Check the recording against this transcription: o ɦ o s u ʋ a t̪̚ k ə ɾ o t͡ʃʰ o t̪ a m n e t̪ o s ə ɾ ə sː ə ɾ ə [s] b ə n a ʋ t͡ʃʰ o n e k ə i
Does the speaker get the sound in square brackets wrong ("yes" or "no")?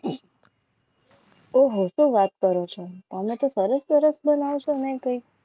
no